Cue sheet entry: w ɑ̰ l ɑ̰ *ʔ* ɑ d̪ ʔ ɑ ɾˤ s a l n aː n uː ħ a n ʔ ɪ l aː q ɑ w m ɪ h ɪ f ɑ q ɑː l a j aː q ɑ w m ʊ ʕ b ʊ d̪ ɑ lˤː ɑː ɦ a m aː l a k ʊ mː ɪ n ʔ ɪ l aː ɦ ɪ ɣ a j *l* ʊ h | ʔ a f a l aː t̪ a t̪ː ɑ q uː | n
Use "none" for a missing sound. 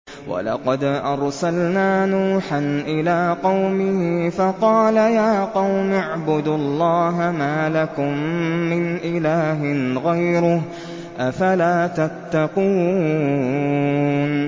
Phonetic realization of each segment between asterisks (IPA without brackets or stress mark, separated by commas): q, ɾ